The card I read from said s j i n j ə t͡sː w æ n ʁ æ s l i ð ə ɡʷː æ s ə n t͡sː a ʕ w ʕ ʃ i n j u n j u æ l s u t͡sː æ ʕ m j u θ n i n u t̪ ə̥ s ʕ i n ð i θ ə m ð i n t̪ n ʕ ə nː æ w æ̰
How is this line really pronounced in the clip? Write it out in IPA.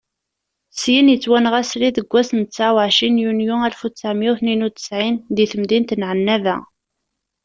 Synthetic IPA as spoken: s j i n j ə t͡sː w æ n ʁ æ s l i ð ə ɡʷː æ s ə n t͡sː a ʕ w ʕ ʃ i n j u n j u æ l f u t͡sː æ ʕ m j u θ n i n u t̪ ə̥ s ʕ i n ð i θ ə m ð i n t̪ n ʕ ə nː æ v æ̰